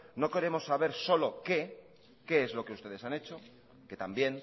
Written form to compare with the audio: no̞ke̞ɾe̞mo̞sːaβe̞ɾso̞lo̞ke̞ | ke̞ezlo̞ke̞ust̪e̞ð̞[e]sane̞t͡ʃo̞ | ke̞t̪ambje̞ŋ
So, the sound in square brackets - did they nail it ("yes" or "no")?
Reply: yes